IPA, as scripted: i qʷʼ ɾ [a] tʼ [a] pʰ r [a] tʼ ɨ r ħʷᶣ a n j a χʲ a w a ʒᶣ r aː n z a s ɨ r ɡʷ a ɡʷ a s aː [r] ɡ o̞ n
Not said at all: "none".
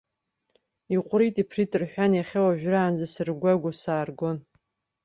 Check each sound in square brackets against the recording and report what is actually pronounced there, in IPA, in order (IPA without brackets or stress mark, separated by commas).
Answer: i, i, i, r